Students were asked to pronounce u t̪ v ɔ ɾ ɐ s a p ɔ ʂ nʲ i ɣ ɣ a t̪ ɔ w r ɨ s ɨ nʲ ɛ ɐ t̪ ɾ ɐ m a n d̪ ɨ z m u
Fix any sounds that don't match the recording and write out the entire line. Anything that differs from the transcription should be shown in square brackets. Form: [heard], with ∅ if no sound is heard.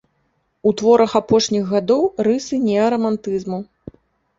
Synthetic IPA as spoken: u t̪ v ɔ ɾ ɐ [x] a p ɔ ʂ nʲ i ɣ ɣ a [d̪] ɔ w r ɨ s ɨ nʲ ɛ ɐ [∅] ɾ ɐ m a n [t̪] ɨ z m u